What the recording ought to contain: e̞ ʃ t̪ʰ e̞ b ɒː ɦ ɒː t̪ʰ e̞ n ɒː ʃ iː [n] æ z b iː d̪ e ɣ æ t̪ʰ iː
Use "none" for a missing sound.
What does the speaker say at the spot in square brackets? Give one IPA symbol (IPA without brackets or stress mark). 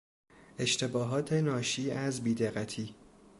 none